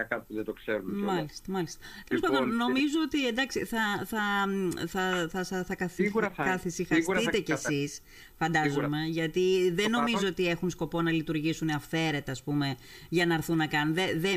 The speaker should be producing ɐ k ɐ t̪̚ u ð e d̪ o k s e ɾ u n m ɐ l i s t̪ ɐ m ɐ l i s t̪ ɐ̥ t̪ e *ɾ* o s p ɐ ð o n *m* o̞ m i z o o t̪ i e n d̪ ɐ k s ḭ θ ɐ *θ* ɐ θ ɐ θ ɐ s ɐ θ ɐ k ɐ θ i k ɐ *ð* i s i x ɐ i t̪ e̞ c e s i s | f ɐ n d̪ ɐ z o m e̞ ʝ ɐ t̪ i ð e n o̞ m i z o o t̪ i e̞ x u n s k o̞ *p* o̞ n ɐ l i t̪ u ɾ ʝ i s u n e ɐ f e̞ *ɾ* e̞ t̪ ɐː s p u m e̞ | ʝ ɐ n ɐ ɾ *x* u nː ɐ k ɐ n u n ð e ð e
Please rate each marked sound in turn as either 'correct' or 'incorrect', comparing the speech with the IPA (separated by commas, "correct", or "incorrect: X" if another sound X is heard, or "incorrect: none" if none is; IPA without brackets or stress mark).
incorrect: l, incorrect: n, correct, incorrect: θ, correct, correct, incorrect: θ